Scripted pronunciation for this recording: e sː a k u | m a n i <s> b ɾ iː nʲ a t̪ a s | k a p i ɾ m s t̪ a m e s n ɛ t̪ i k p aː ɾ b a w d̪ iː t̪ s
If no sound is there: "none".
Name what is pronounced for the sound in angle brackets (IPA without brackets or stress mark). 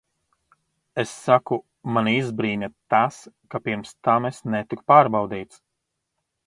z